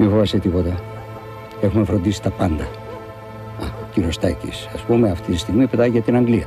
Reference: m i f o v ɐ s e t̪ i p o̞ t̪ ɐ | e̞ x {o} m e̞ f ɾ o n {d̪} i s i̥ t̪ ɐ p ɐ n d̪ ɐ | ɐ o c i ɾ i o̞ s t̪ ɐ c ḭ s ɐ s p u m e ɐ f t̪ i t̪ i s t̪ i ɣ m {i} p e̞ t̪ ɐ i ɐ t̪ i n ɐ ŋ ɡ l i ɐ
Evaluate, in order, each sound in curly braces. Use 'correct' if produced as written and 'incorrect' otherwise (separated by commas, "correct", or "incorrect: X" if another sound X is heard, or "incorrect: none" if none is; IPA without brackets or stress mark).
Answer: incorrect: u, correct, correct